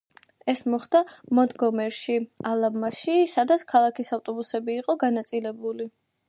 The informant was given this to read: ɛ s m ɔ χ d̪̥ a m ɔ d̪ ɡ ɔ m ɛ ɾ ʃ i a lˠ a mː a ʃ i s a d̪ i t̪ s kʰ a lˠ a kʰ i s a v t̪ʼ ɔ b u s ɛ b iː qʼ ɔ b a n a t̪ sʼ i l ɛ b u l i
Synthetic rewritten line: ɛ s m ɔ χ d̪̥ a m ɔ d̪ ɡ ɔ m ɛ ɾ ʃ i a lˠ a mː a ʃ i s a d̪ a t̪ s kʰ a lˠ a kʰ i s a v t̪ʼ ɔ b u s ɛ b iː qʼ ɔ ɡ a n a t̪ sʼ i l ɛ b u l i